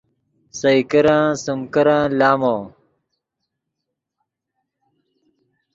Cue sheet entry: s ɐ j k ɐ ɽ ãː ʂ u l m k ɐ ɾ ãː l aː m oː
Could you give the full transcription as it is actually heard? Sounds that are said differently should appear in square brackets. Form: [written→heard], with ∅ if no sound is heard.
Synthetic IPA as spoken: s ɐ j k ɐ [ɽ→ɾ] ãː [ʂ→s] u [l→∅] m k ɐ ɾ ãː l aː m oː